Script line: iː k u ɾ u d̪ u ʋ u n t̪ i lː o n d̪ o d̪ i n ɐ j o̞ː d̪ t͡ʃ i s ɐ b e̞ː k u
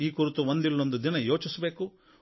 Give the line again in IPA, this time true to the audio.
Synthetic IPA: iː k u ɾ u t̪ u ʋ o n d̪ i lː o n d̪ u d̪ i n ɐ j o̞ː t͡ʃ i s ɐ b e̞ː k u